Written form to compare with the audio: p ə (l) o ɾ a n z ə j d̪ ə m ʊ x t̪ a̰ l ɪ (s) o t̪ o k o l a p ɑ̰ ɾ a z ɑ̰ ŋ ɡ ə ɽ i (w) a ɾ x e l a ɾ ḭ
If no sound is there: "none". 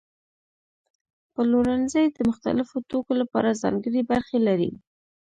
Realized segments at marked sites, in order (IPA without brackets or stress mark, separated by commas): l, f, b